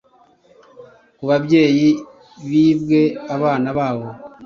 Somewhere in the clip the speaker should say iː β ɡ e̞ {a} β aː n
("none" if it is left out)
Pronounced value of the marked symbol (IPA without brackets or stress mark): a